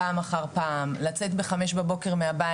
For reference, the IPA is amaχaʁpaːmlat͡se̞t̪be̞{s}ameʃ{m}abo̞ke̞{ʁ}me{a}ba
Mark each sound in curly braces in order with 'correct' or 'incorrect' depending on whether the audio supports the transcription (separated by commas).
incorrect, incorrect, correct, correct